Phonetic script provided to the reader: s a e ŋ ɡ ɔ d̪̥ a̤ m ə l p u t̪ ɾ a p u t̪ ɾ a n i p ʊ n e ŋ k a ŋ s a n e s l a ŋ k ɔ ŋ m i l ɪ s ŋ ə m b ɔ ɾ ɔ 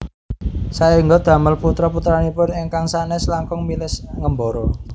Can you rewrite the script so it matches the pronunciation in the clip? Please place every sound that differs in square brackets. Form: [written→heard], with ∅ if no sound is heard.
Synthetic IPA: s a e ŋ ɡ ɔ d̪̥ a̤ m ə l p u t̪ ɾ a p u t̪ ɾ a n i p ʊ n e ŋ k a ŋ s a n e s l a ŋ k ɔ ŋ m i l ɪ s ŋ ə m b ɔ ɾ ɔ